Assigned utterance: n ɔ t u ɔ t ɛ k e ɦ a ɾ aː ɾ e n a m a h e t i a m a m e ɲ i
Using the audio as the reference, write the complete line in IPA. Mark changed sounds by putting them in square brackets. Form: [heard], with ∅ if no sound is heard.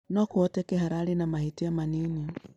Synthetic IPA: n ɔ [k] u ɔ t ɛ k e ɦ a ɾ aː ɾ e n a m a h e t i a m a [n] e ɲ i